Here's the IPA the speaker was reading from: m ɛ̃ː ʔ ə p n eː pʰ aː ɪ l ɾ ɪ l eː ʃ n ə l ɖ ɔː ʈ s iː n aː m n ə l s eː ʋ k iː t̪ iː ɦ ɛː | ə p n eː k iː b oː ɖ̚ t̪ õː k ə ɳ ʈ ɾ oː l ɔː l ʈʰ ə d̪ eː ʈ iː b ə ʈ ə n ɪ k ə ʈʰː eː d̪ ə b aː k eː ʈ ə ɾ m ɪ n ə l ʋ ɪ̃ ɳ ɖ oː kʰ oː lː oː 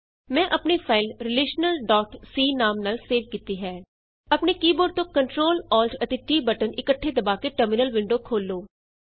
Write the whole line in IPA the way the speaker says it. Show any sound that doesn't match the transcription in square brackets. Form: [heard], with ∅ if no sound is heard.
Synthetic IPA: m ɛ̃ː ʔ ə p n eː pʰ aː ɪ l ɾ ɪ l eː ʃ n ə l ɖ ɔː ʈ s iː n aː m n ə l s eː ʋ k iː t̪ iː ɦ ɛː | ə p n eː k iː b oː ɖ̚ t̪ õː k ə ɳ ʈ ɾ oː l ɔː l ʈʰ ə [t̪] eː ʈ iː b ə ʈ ə n ɪ k ə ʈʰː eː d̪ ə b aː k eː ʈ ə ɾ m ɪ n ə l ʋ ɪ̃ ɳ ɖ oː kʰ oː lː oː